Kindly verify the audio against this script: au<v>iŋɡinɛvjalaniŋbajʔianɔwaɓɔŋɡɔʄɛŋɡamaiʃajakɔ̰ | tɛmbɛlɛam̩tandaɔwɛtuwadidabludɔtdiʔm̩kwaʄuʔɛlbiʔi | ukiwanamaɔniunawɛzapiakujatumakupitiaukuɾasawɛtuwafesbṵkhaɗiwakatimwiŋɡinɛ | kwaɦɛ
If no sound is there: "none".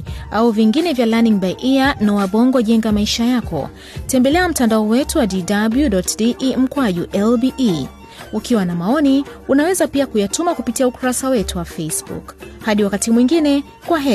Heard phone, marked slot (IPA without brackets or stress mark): v